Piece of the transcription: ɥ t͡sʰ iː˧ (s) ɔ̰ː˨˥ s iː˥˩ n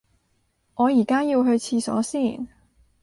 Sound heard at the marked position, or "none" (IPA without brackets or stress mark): s